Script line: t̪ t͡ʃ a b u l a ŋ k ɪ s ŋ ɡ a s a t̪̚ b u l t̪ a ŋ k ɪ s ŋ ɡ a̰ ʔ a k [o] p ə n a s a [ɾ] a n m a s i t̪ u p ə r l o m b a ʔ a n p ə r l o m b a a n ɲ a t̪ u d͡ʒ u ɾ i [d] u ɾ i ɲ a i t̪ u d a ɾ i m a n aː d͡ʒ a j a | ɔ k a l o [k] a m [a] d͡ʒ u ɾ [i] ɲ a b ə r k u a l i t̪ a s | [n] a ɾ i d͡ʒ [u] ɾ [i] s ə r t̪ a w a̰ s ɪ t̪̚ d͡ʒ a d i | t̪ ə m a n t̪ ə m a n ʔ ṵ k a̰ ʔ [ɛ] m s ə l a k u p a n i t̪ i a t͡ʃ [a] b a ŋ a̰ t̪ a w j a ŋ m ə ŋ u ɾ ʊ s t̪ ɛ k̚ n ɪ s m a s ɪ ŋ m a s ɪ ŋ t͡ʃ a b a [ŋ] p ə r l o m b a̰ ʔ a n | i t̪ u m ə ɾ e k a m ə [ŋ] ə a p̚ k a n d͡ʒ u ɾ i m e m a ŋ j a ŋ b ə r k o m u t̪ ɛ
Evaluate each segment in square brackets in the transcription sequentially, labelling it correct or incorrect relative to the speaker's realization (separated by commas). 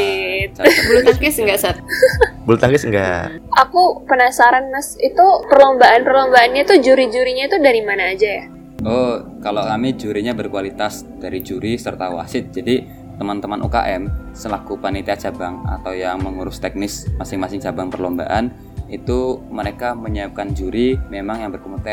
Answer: incorrect, correct, incorrect, correct, incorrect, correct, incorrect, correct, correct, correct, correct, correct, incorrect